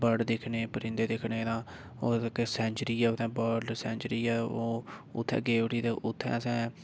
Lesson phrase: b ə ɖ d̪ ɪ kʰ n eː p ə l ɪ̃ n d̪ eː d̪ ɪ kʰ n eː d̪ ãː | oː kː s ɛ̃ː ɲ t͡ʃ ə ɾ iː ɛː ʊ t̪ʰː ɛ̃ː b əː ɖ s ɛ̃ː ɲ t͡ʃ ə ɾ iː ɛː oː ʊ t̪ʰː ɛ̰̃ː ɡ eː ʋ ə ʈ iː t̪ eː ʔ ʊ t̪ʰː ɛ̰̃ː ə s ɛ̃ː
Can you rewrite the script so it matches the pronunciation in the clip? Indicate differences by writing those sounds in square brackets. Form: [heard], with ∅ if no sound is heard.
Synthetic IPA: b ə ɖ d̪ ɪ kʰ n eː p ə [ɾ] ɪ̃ n d̪ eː d̪ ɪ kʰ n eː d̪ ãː | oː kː s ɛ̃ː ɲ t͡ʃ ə ɾ iː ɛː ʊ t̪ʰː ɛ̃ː b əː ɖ s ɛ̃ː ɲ t͡ʃ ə ɾ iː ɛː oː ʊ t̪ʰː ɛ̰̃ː ɡ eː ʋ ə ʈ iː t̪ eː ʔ ʊ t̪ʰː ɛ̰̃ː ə s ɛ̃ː

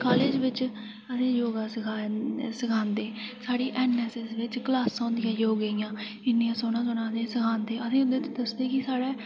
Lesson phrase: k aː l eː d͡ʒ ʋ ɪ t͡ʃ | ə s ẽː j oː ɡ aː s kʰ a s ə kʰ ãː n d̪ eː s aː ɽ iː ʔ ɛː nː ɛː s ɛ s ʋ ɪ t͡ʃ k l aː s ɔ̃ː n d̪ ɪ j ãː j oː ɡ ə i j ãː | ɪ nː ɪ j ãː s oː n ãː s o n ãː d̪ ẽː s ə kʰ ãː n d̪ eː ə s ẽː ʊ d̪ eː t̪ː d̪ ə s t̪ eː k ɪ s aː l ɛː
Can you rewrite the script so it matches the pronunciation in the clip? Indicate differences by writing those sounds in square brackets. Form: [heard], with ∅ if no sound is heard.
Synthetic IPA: k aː l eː d͡ʒ ʋ ɪ t͡ʃ | ə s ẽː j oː ɡ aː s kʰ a s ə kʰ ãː n d̪ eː s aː ɽ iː ʔ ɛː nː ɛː s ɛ s ʋ ɪ t͡ʃ k l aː s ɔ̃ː n d̪ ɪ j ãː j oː ɡ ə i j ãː | ɪ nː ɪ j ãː s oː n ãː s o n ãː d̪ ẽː s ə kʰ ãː n d̪ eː ə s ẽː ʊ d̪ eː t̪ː d̪ ə s [d̪] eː k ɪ s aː [ɽ] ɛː

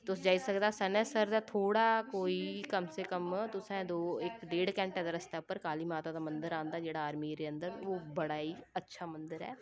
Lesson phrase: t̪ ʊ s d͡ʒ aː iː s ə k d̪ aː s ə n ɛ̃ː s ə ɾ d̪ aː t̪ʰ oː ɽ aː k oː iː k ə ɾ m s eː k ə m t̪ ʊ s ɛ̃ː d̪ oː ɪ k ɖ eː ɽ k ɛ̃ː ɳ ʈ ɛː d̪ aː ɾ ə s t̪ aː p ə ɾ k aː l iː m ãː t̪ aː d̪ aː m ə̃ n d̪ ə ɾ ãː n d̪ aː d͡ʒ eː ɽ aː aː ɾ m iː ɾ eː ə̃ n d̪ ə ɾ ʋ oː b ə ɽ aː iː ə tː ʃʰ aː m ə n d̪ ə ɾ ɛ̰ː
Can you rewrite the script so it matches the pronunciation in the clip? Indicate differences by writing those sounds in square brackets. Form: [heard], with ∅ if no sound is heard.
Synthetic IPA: t̪ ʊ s d͡ʒ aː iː s ə k d̪ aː s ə n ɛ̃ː s ə ɾ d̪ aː t̪ʰ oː ɽ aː k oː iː k ə [∅] m s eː k ə m t̪ ʊ s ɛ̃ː d̪ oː ɪ k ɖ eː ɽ k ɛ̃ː ɳ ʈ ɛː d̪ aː ɾ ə s t̪ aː p ə ɾ k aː l iː m [aː] t̪ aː d̪ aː m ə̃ n d̪ ə ɾ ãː n d̪ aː d͡ʒ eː ɽ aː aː ɾ m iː ɾ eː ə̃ n d̪ ə ɾ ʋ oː b ə ɽ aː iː ə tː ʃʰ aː m ə n d̪ ə ɾ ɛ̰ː

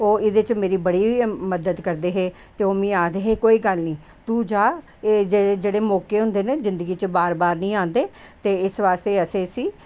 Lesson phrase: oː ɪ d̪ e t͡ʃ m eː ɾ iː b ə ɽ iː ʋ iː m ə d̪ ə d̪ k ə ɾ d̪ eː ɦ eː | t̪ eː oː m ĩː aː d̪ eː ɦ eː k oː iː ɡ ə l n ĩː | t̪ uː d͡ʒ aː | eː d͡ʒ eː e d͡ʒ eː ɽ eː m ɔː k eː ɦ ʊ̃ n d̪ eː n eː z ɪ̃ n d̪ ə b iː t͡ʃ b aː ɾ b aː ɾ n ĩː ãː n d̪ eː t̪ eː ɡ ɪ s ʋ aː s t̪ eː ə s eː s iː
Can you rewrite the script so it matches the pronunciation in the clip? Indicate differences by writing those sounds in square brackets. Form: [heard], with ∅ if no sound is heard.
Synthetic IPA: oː ɪ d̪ e t͡ʃ m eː ɾ iː b ə ɽ iː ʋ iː m ə d̪ ə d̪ k ə ɾ d̪ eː ɦ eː | t̪ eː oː m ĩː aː d̪ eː ɦ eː k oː iː ɡ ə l n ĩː | t̪ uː d͡ʒ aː | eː d͡ʒ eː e d͡ʒ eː ɽ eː m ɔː k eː ɦ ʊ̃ n d̪ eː n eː z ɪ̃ n d̪ ə [ɡ] iː t͡ʃ b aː ɾ b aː ɾ n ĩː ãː n d̪ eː t̪ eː [∅] ɪ s ʋ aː s t̪ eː ə s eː s iː

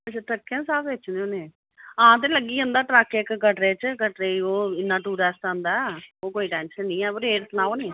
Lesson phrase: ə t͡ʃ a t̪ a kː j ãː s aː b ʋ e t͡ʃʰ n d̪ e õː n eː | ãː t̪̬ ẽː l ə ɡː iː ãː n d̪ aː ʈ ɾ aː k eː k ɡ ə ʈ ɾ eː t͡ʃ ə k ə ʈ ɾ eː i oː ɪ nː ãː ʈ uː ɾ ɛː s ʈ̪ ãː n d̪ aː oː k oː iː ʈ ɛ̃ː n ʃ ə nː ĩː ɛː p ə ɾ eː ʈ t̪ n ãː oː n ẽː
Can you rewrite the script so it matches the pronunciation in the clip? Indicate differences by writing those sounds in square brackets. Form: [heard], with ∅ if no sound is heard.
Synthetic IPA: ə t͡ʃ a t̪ [ə] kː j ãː s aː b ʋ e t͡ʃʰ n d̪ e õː n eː | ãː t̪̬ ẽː l ə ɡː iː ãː n d̪ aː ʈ ɾ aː k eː k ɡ ə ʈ ɾ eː t͡ʃ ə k ə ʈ ɾ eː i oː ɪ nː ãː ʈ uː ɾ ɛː s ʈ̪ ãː n d̪ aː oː k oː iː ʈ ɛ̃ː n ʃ ə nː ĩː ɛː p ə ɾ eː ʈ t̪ n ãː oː n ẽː

